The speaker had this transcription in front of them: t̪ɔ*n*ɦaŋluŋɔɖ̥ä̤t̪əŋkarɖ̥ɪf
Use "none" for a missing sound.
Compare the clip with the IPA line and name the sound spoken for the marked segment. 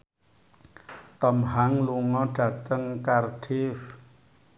m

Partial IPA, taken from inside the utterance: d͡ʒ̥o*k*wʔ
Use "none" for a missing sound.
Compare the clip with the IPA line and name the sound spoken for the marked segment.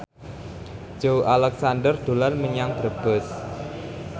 none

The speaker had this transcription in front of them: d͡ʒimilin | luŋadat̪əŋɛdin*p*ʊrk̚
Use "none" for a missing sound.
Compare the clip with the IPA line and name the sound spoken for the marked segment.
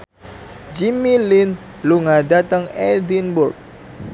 b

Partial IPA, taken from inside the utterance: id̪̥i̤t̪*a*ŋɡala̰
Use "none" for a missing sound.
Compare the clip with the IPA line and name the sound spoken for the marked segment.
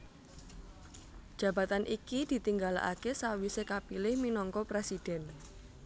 i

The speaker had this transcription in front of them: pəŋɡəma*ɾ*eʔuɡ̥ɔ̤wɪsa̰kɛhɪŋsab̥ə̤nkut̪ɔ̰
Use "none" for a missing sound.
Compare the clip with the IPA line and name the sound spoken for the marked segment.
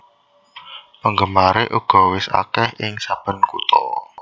ɾ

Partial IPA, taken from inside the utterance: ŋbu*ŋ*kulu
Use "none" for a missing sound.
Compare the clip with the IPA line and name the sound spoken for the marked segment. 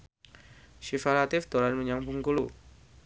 ŋ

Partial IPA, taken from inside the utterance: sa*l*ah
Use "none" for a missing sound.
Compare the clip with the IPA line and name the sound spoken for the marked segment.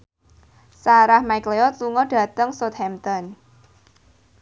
ɾ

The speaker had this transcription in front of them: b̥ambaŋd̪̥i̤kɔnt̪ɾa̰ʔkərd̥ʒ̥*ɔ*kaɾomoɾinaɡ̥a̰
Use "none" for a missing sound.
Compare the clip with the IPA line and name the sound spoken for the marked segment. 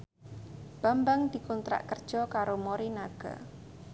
ɔ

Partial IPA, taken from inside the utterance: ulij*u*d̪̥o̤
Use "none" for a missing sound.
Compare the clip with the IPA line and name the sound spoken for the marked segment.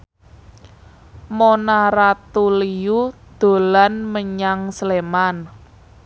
u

